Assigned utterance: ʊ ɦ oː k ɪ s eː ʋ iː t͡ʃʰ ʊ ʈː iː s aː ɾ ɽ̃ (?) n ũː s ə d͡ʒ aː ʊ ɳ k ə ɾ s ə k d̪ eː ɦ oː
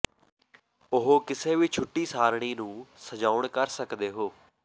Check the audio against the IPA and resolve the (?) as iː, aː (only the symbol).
iː